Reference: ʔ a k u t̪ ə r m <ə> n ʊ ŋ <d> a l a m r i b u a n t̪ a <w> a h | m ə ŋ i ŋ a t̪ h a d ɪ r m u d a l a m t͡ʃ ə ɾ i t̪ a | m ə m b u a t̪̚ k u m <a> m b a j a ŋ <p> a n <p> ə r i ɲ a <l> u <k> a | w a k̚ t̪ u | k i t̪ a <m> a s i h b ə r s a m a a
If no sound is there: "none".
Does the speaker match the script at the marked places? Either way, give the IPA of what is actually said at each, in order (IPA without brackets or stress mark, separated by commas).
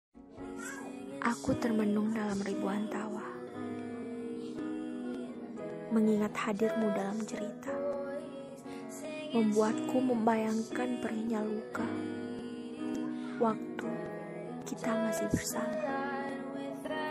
ə, d, w, ə, k, p, l, k, m